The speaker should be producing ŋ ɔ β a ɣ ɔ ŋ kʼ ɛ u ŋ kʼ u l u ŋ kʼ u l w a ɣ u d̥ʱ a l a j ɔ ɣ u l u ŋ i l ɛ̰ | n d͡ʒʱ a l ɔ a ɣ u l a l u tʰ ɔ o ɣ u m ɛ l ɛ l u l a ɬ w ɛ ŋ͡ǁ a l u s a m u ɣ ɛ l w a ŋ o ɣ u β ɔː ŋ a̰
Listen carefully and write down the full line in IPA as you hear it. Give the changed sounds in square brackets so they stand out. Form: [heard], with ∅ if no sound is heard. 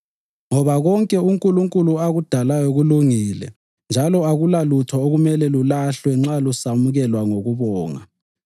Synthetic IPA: ŋ ɔ β a ɣ ɔ ŋ kʼ ɛ u ŋ kʼ u l u ŋ kʼ u l [u] a ɣ u d̥ʱ a l a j ɔ ɣ u l u ŋ i l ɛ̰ | n d͡ʒʱ a l ɔ a ɣ u l a l u tʰ ɔ o ɣ u m ɛ l ɛ l u l a ɬ w ɛ ŋ͡ǁ a l u s a m u ɣ ɛ l w a ŋ o ɣ u β ɔː ŋ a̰